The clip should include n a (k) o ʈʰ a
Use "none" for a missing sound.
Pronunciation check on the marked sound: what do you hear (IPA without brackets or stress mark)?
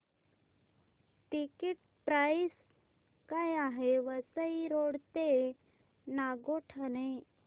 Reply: ɡ